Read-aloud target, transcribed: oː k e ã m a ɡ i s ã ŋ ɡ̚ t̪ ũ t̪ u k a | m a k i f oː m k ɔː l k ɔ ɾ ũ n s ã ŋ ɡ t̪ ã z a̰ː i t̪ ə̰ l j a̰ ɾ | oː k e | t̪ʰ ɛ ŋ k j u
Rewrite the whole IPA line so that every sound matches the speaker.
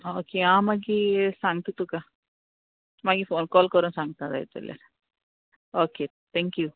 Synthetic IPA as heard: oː k e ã m a ɡ i s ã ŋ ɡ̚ t̪ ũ t̪ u k a | m a ɡ i f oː n k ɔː l k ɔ ɾ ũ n s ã ŋ ɡ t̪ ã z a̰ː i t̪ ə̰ l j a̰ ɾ | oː k e | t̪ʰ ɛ ŋ k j u